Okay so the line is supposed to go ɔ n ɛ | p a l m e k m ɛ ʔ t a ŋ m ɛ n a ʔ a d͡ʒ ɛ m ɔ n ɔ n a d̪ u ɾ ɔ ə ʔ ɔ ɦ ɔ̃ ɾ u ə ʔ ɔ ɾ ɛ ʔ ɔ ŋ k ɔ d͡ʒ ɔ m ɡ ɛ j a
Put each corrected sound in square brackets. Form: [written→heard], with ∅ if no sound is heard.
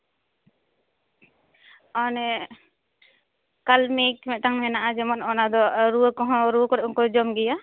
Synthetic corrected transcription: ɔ n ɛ | [p→k] a l m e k m ɛ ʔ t a ŋ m ɛ n a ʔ a d͡ʒ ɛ m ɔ n ɔ n a d̪ [u→ɔ] ɾ [ɔ→u] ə [ʔ→k] ɔ ɦ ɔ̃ ɾ u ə [ʔ→k] ɔ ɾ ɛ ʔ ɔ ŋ k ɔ d͡ʒ ɔ m ɡ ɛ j a